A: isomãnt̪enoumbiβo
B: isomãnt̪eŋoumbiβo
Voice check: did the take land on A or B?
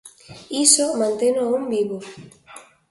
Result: A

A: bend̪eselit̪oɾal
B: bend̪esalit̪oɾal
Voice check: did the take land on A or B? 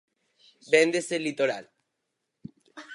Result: A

